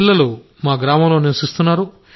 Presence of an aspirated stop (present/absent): absent